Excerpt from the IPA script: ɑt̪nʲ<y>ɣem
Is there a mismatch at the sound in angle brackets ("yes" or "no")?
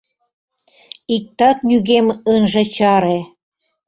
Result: no